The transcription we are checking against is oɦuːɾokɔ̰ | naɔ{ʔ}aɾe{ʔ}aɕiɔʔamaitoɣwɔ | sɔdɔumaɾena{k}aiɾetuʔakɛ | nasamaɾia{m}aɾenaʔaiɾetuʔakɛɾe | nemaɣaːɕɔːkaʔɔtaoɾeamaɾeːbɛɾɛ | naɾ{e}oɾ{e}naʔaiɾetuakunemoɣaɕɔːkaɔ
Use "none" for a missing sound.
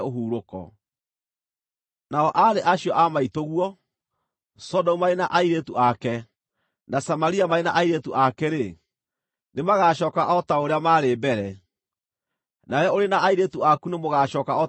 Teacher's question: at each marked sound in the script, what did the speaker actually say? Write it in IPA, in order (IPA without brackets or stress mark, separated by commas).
ʔ, ʔ, ʔ, m, ɛ, e